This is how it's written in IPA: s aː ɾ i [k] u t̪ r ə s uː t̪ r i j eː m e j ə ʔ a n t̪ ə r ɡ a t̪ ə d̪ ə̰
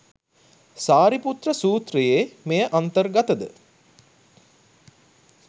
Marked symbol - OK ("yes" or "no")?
no